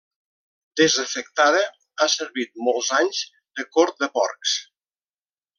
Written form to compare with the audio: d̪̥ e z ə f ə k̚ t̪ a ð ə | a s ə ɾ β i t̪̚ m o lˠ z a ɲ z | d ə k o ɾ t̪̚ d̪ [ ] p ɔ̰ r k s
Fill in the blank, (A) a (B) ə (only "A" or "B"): B